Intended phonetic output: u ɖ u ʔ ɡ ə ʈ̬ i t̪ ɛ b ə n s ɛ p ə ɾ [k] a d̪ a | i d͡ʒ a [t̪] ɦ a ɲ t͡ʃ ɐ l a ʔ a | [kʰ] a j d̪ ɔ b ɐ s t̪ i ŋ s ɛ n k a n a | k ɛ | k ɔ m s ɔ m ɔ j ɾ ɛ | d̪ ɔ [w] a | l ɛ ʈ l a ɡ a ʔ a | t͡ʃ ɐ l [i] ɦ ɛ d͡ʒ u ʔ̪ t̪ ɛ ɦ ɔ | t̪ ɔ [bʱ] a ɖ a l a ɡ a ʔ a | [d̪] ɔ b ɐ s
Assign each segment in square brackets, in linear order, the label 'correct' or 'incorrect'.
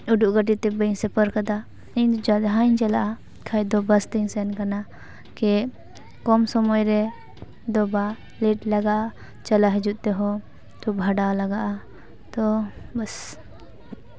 correct, incorrect: d̪, correct, incorrect: b, incorrect: a, correct, incorrect: t̪

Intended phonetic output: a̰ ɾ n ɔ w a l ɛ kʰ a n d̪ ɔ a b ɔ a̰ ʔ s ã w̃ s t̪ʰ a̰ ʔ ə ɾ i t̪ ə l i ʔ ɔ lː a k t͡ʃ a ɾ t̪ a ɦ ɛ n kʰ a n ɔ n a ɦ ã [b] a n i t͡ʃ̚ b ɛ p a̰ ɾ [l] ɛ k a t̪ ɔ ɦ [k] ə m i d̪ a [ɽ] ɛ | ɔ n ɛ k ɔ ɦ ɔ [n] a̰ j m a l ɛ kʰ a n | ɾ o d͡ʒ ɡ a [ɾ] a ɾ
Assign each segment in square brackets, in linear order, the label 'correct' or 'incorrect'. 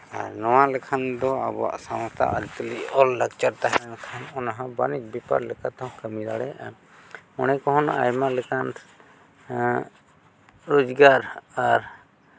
correct, correct, correct, correct, correct, correct

